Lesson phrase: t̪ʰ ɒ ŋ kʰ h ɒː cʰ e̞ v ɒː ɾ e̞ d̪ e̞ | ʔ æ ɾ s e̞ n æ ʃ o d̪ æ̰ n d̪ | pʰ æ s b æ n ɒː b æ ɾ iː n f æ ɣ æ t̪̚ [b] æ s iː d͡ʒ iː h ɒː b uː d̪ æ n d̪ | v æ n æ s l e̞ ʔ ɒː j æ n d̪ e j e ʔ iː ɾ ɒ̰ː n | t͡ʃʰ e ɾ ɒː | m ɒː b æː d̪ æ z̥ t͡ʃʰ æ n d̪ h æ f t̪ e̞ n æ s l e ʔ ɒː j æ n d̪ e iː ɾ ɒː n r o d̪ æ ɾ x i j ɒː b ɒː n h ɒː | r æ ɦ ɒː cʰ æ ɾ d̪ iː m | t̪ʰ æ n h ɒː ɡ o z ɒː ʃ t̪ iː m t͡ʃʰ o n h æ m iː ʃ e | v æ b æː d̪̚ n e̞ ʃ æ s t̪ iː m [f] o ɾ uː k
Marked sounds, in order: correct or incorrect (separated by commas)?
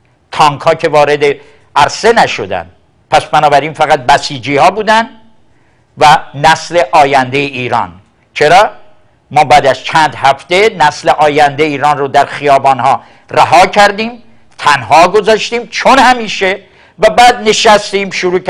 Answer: correct, incorrect